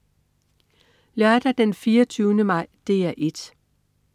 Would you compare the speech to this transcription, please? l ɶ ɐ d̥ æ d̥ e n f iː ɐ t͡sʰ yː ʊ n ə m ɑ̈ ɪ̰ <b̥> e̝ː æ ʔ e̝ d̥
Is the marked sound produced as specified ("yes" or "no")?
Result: no